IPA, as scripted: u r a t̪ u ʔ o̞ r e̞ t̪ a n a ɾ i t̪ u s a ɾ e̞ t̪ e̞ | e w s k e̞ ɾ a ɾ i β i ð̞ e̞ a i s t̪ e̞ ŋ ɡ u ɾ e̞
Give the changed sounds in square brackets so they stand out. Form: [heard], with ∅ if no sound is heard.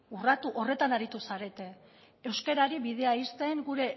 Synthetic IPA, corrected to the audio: u r a t̪ u ʔ o̞ r e̞ t̪ a n a ɾ i t̪ u s a ɾ e̞ t̪ e̞ | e w s k e̞ ɾ a ɾ i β i ð̞ e̞ a i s t̪ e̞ ŋ ɡ u ɾ e̞